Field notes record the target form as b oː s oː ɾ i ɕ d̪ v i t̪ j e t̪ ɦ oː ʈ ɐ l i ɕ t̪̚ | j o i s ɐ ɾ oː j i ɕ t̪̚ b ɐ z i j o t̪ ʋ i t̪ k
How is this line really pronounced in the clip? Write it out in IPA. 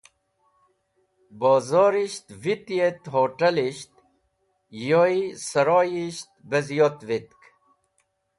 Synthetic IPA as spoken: b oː z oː ɾ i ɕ t̪ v i t̪ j e t̪ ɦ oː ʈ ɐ l i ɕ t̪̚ | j o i s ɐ ɾ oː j i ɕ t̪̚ b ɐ z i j o t̪ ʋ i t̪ k